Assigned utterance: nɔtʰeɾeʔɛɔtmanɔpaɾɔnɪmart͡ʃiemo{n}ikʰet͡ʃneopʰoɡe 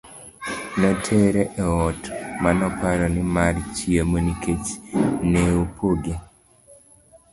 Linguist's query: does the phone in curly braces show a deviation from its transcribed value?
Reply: no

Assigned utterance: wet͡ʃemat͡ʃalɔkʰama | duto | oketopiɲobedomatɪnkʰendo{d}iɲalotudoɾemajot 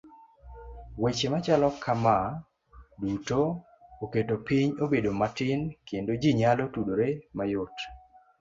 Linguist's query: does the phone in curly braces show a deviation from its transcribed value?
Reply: yes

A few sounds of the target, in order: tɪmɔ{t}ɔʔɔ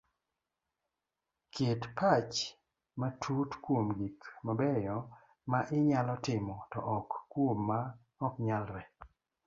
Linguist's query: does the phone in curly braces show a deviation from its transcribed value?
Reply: no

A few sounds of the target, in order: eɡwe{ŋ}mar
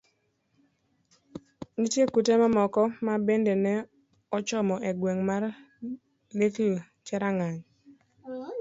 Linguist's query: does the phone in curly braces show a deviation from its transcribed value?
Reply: no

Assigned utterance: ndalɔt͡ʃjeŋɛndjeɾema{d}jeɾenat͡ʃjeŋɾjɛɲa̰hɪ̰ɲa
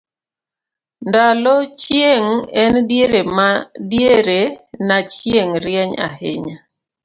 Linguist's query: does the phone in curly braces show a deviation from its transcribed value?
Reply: no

